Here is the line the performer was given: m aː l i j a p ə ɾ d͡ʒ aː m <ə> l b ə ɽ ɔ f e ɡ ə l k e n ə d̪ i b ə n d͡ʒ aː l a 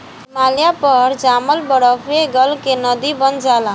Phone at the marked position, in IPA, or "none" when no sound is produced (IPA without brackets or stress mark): ə